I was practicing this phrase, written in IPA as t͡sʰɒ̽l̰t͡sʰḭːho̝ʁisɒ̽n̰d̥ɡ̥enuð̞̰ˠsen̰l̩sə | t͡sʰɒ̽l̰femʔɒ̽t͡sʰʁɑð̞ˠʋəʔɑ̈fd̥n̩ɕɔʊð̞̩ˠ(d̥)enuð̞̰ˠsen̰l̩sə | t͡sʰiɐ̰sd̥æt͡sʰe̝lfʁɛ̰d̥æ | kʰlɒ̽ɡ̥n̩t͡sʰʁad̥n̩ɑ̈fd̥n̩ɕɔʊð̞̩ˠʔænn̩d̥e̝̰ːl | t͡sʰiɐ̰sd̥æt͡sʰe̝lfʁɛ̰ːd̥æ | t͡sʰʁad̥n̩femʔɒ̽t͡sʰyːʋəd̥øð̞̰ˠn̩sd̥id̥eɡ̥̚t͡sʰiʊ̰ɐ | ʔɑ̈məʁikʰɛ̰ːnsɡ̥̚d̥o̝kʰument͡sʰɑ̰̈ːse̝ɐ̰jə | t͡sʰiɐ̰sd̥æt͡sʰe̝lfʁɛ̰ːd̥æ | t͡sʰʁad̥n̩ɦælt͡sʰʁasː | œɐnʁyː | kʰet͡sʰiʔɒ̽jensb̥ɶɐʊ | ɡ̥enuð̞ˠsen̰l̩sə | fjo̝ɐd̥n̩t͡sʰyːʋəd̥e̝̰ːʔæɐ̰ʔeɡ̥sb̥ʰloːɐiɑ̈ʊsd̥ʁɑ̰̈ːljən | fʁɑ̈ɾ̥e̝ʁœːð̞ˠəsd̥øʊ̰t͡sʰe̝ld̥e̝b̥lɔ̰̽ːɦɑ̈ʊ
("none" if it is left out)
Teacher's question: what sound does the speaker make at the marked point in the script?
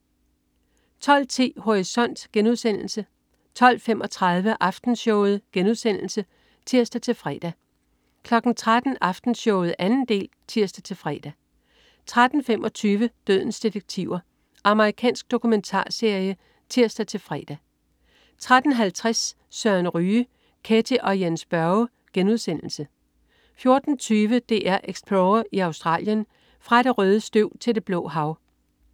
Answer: ɡ̥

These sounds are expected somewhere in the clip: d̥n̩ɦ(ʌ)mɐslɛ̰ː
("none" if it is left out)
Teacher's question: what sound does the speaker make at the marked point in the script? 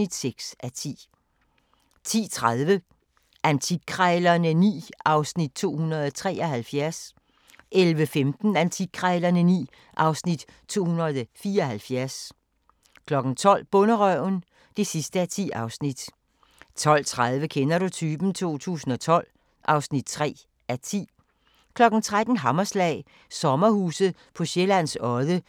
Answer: ɑ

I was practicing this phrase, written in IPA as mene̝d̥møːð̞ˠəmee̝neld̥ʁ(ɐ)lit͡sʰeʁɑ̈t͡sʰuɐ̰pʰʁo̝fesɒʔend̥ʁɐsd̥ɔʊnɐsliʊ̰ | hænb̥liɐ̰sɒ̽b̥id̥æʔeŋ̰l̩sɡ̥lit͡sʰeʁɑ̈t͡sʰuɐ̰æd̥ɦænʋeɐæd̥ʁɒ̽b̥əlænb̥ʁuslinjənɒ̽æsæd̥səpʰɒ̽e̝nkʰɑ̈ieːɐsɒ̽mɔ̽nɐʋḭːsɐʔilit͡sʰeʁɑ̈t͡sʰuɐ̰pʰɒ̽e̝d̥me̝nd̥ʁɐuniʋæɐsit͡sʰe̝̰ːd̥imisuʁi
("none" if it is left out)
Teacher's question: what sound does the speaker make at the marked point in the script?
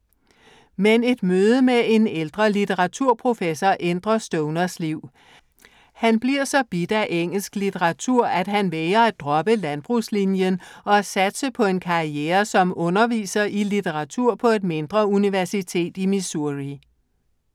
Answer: ɐ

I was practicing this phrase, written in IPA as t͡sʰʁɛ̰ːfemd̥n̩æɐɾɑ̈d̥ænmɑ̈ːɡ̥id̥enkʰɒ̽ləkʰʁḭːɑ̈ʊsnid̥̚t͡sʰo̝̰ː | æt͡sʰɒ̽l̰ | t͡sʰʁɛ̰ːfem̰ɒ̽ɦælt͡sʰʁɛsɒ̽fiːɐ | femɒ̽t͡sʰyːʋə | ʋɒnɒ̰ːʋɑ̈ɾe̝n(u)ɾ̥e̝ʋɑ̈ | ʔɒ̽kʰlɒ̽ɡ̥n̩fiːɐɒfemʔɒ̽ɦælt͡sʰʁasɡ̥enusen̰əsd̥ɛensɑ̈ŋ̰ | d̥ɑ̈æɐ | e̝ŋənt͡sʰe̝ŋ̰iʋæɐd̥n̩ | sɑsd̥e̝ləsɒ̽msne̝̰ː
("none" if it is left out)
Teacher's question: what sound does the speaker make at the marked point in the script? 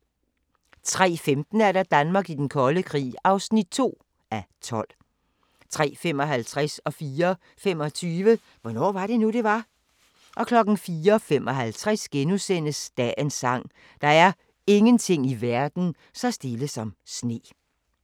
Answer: u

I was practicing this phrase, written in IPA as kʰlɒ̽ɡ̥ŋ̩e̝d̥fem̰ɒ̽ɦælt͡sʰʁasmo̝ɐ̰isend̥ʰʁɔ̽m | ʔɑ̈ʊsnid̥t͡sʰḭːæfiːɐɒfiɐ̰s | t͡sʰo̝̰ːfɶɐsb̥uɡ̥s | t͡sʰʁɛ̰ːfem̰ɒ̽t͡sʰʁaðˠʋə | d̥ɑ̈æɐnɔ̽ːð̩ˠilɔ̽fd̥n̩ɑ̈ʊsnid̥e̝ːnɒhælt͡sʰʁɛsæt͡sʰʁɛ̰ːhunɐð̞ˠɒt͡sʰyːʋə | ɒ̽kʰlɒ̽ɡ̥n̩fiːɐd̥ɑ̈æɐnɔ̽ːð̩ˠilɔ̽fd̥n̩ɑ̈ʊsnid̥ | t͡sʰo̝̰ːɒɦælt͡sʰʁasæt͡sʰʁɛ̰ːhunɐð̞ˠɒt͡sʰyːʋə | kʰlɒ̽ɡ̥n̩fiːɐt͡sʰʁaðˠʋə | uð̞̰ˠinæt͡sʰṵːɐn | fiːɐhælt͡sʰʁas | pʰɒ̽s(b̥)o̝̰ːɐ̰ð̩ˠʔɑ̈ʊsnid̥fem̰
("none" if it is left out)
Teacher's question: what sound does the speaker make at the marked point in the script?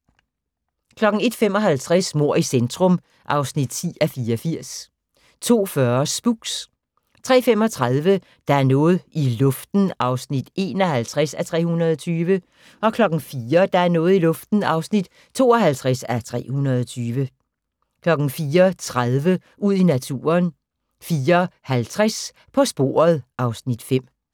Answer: b̥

